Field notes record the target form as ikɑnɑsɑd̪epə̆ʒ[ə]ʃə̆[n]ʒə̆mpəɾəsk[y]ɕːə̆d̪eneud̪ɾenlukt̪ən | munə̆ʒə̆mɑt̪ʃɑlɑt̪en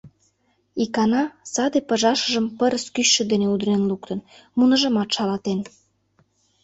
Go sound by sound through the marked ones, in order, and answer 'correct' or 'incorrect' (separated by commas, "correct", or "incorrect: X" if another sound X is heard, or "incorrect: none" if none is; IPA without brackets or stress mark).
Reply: incorrect: ɑ, incorrect: none, correct